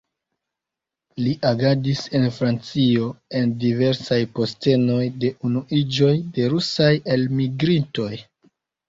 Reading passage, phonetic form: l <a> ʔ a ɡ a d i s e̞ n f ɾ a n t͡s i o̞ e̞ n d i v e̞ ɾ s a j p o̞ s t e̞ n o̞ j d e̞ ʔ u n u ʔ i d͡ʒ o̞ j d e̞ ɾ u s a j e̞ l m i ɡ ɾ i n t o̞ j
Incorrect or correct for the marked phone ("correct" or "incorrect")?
incorrect